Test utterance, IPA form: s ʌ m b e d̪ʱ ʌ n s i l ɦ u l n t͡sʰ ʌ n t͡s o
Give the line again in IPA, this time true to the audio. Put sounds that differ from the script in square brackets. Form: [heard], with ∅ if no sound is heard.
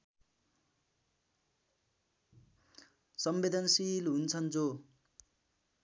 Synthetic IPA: s ʌ m b e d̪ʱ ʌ n s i l ɦ u [∅] n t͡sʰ ʌ n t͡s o